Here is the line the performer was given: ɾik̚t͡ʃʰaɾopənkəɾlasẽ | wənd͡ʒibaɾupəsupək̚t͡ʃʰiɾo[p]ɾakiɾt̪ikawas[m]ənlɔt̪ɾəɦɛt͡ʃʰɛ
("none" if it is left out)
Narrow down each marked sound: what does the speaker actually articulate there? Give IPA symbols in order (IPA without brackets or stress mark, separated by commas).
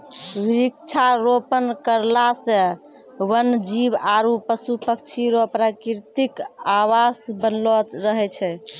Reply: p, b